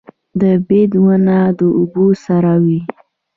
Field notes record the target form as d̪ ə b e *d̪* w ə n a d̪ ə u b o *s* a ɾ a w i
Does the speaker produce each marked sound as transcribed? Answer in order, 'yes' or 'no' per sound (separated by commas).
yes, yes